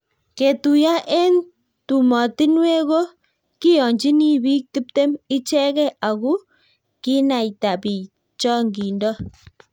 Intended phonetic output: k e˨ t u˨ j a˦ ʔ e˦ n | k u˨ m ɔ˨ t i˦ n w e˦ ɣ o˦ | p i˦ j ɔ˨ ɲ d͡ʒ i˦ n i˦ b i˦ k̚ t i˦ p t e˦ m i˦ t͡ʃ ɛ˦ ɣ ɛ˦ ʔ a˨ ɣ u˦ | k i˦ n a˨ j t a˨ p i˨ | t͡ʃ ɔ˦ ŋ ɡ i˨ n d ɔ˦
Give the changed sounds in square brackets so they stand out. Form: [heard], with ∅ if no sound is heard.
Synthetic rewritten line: k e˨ t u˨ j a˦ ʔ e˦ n | [t] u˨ m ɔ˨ t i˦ n w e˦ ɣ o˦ | [k] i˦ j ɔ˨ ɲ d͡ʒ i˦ n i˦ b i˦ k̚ t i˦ p t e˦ m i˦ t͡ʃ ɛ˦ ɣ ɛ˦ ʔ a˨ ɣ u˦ | k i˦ n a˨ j t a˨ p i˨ | t͡ʃ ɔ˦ ŋ ɡ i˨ n d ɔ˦